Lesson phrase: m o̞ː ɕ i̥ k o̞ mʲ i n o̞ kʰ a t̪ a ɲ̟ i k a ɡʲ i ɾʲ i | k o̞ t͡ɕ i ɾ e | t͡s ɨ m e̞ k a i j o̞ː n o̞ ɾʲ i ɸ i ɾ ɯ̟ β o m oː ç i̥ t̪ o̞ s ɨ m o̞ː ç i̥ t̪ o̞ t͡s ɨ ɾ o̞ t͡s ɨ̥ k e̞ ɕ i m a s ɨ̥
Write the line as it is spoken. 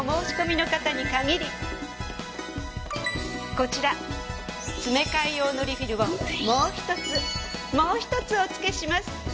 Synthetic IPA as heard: m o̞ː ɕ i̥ k o̞ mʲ i n o̞ k a t̪ a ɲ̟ i k a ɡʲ i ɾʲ i | k o̞ t͡ɕ i ɾ a | t͡s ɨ m e̞ k a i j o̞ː n o̞ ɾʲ i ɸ i ɾ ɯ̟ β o m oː ç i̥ t̪ o̞ t͡s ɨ m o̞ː ç i̥ t̪ o̞ t͡s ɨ o̞ t͡s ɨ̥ k e̞ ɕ i m a s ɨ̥